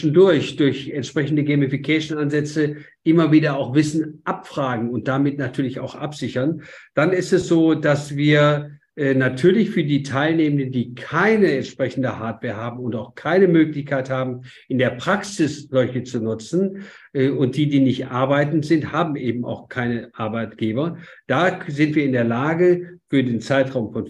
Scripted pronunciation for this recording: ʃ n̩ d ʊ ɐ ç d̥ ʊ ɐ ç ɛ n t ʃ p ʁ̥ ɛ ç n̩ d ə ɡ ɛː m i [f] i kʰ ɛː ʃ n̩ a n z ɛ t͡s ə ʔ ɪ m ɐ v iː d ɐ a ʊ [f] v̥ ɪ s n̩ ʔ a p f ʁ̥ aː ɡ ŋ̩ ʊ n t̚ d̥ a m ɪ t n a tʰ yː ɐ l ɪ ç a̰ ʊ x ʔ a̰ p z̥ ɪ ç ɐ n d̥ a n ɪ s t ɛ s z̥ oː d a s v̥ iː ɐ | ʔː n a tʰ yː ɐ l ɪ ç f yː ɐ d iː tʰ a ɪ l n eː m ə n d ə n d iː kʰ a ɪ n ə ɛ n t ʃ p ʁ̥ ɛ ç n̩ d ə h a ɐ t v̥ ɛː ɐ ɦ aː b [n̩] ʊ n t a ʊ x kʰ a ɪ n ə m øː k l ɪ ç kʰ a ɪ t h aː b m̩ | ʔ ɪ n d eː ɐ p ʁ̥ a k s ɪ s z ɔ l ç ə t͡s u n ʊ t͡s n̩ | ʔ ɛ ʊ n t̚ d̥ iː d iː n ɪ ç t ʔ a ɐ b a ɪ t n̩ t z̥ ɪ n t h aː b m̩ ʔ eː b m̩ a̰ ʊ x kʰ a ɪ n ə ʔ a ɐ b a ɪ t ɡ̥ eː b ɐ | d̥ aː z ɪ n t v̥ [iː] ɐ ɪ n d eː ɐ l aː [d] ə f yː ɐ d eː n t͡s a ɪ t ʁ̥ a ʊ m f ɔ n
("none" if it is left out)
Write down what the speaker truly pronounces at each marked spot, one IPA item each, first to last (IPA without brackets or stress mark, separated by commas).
f, x, m̩, iː, ɡ